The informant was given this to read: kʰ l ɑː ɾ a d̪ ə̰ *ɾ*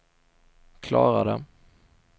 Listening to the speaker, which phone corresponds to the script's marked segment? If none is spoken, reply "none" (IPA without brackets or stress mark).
none